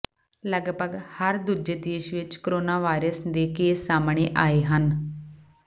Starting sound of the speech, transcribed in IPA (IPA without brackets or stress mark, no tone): l